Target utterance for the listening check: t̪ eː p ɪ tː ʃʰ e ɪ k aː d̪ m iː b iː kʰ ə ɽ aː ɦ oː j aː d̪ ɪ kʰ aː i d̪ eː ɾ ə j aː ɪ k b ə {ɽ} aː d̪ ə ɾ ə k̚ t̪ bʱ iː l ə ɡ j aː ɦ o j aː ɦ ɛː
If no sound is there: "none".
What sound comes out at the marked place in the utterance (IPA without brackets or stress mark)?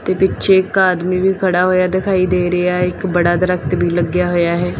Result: ɽ